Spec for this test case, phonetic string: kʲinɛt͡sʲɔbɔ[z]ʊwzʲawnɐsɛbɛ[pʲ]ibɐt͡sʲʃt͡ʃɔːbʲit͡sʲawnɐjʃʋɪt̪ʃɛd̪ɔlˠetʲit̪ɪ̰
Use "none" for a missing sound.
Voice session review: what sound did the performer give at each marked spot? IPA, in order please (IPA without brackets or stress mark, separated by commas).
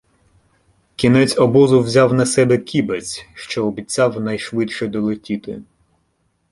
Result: z, kʲ